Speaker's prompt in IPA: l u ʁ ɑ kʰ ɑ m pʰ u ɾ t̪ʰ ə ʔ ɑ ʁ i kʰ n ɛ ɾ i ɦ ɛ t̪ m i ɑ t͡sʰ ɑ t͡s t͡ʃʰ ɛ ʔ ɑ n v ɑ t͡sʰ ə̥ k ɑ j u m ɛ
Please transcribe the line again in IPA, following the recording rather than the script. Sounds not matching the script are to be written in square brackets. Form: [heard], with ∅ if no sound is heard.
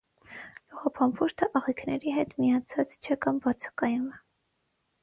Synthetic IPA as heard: l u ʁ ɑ [pʰ] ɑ m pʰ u ɾ t̪ʰ ə ʔ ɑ ʁ i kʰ n ɛ ɾ i ɦ ɛ t̪ m i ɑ t͡sʰ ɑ t͡s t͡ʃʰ ɛ [k] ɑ [m] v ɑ t͡sʰ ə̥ k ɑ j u m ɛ